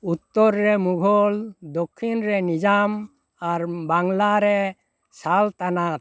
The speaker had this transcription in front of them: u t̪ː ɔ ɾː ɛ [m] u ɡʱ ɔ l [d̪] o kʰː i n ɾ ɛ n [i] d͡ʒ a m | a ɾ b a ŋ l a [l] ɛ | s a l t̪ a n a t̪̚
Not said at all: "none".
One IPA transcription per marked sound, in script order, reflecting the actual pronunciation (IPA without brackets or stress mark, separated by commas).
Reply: m, d̪, i, ɾ